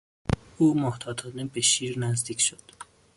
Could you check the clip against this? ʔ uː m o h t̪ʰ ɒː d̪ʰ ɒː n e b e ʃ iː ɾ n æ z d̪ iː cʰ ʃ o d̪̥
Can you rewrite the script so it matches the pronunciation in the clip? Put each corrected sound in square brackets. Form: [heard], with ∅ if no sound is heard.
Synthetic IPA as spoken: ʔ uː m o h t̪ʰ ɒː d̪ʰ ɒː n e b e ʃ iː ɾ n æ z d̪ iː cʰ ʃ o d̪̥